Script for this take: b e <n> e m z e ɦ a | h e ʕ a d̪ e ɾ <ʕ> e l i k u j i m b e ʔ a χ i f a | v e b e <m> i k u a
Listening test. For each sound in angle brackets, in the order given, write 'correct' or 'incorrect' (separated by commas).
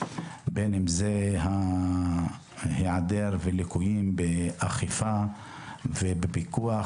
correct, incorrect, incorrect